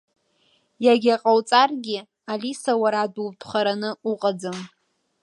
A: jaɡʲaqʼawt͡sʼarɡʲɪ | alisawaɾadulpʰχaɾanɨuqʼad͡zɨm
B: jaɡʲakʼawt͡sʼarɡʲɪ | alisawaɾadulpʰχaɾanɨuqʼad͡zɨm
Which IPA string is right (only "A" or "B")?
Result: A